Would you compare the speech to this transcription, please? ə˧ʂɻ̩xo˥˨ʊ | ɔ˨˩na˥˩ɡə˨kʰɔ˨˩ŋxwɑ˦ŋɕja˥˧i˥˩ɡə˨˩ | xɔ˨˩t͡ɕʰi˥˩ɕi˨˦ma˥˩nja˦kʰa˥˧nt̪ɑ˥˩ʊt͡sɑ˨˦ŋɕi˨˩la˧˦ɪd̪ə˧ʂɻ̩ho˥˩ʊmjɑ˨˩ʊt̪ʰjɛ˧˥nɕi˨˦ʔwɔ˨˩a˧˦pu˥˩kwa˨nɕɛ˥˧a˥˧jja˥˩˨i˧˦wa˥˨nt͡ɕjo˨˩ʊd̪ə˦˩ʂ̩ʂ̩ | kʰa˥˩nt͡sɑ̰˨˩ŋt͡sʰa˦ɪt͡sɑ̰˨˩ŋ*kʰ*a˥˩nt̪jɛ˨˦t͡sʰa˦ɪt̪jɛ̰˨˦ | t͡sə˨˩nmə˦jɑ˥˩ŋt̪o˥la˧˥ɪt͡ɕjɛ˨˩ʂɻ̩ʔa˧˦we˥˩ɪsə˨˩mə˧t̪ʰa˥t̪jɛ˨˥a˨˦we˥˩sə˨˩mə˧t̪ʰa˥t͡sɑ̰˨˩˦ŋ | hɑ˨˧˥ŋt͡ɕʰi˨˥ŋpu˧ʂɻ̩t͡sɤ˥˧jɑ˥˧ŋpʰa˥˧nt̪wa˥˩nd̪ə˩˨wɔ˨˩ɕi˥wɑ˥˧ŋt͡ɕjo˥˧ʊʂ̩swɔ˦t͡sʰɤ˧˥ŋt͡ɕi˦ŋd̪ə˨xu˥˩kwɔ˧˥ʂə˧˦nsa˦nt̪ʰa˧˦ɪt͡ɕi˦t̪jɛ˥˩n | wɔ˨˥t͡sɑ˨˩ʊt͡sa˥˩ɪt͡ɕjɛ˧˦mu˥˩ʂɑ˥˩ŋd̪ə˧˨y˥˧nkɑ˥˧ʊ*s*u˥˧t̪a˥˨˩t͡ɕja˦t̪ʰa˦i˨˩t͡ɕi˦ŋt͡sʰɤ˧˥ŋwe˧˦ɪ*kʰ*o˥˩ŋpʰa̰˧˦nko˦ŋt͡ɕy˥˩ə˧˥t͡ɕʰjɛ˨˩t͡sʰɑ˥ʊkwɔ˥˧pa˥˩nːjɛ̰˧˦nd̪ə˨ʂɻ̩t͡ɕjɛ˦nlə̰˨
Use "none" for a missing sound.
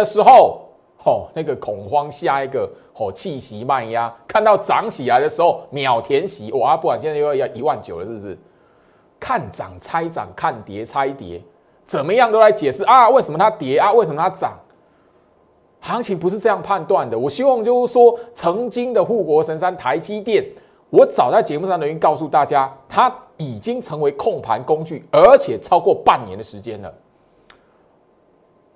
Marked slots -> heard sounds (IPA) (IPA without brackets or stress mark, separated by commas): kʰ, s, kʰ